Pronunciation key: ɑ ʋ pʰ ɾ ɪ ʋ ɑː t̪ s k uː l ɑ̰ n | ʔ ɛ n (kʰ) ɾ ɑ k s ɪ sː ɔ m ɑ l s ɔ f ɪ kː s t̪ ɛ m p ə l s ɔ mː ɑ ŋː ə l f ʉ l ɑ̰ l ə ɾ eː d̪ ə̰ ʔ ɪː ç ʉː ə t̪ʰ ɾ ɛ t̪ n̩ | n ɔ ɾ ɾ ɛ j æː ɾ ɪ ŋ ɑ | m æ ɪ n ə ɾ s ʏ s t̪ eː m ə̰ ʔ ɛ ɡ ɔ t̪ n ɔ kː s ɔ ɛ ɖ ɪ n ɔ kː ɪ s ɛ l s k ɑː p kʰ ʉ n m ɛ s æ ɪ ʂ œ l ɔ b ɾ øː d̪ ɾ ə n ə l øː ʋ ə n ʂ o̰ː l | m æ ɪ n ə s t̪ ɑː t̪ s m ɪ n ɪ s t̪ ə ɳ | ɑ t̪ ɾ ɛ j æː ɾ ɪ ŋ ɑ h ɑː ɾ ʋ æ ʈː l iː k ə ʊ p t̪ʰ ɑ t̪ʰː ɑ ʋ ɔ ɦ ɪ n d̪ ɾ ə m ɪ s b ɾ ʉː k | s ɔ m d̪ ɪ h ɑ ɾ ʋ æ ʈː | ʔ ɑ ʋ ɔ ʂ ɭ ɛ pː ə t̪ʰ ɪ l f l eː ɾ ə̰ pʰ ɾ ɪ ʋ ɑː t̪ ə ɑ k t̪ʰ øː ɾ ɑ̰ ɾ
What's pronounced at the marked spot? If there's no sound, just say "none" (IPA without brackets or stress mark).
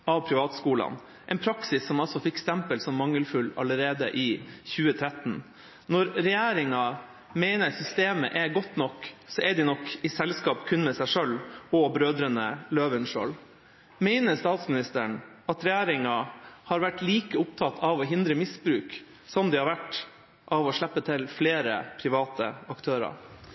pʰ